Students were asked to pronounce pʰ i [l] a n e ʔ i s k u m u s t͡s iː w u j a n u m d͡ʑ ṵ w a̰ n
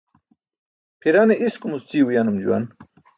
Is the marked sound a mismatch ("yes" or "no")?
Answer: yes